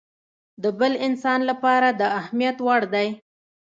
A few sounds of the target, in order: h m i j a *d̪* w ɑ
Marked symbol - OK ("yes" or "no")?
no